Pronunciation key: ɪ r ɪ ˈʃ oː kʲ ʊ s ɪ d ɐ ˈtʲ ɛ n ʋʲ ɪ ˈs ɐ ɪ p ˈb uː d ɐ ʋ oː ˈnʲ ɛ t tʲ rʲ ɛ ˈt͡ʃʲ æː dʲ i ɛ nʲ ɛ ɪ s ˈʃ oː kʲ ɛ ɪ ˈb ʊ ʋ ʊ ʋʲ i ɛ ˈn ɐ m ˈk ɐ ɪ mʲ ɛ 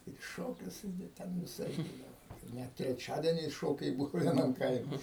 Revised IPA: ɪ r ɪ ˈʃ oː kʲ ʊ s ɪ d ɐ ˈtʲ ɛ n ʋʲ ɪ ˈs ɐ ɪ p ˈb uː d ɐ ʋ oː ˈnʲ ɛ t tʲ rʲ ɛ ˈt͡ʃʲ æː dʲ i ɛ nʲ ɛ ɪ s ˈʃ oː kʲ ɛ ɪ ˈb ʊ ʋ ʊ ʋʲ i ɛ ˈn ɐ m ˈk ɐ ɪ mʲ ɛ